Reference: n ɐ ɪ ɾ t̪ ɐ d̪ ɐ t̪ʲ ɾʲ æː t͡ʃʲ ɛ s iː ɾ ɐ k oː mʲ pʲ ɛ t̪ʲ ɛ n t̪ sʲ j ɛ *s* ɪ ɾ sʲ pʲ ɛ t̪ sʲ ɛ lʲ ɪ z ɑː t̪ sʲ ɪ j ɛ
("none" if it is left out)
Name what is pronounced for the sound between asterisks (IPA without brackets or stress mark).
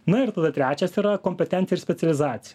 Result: none